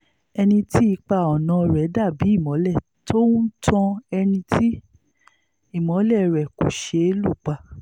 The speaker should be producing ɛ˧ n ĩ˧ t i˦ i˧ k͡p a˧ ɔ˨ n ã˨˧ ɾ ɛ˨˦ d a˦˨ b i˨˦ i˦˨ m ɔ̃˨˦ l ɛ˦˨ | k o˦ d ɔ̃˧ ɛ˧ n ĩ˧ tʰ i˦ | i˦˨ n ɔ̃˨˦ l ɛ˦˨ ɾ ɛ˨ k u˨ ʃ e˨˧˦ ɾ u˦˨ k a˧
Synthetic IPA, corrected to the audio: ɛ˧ n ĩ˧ t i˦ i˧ k͡p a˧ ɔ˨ n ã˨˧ ɾ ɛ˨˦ d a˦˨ b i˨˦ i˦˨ m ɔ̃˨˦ l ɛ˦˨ | t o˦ t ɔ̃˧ ɛ˧ n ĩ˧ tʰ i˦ | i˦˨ m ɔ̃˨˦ l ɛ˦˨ ɾ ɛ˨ k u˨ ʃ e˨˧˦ l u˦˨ k͡p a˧

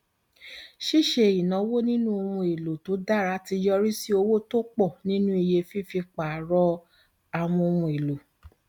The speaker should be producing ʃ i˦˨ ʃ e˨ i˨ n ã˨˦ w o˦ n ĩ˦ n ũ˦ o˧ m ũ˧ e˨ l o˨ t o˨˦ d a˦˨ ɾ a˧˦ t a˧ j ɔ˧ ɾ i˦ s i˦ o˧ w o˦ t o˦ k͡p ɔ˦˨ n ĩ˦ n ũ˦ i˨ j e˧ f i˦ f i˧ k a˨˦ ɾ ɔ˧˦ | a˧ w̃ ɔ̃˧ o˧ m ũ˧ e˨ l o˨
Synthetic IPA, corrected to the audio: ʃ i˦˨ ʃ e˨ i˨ n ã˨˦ w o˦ n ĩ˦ n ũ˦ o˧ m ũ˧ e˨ l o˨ t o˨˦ d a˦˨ ɾ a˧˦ t i˧ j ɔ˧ ɾ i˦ s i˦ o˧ w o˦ t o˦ k͡p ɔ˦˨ n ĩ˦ n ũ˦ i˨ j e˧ f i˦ f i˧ k͡p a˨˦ ɾ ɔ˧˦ | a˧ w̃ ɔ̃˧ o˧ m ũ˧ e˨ l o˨

